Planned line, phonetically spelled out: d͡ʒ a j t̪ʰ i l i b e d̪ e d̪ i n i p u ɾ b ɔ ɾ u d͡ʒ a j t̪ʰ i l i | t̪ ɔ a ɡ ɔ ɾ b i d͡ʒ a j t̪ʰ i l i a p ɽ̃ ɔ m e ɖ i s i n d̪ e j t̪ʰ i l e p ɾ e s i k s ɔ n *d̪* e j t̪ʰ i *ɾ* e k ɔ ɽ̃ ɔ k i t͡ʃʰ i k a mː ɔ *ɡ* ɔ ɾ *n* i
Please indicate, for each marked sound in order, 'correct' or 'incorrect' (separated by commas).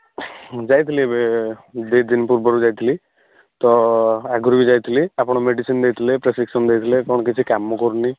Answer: correct, incorrect, incorrect, correct